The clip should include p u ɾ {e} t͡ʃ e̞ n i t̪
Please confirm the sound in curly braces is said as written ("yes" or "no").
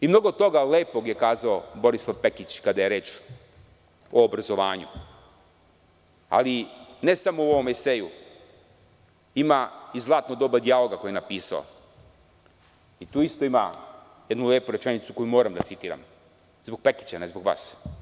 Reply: yes